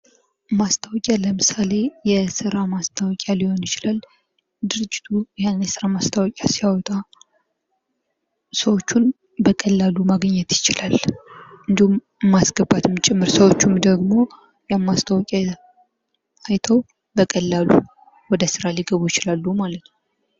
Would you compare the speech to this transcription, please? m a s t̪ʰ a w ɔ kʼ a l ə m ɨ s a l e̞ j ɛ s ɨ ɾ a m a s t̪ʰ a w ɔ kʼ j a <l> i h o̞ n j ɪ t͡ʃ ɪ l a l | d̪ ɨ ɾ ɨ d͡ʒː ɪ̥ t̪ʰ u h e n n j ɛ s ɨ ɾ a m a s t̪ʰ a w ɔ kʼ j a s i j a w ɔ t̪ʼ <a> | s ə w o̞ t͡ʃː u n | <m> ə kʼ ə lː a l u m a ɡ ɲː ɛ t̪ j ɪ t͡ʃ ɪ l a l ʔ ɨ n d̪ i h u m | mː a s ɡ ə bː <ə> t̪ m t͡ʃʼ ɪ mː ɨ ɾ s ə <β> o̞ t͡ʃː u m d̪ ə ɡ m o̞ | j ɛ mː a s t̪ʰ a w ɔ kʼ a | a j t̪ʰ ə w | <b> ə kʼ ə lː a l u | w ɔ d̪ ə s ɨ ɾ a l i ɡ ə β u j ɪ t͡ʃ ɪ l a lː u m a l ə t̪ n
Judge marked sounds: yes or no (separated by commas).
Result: yes, yes, no, no, no, yes